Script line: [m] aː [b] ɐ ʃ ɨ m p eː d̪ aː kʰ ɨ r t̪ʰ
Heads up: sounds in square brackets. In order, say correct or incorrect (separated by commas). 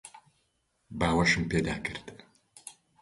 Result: incorrect, incorrect